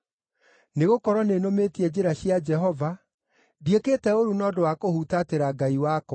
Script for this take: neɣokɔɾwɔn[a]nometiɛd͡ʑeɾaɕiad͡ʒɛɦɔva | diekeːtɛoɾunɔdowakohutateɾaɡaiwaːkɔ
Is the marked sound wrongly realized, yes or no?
yes